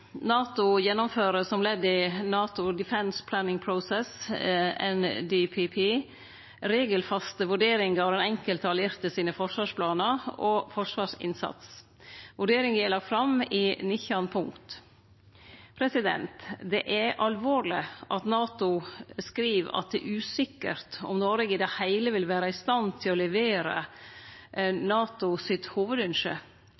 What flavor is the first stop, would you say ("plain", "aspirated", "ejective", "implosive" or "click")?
plain